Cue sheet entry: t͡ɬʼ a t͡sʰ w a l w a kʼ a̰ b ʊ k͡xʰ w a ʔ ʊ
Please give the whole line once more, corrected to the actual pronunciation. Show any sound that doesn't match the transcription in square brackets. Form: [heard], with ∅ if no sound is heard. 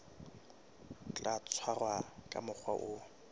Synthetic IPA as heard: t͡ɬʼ a t͡sʰ w a [r] w a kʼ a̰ [m] ʊ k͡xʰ w a ʔ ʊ